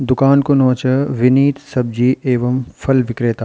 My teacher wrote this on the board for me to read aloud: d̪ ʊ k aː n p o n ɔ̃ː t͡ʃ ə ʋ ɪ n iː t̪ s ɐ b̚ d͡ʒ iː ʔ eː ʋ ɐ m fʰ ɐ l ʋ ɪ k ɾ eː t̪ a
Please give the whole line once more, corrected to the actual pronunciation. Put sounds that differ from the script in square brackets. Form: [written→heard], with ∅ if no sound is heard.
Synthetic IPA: d̪ ʊ k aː n [p→k] o n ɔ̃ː t͡ʃ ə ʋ ɪ n iː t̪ s ɐ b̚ d͡ʒ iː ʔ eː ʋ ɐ m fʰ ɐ l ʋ ɪ k ɾ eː t̪ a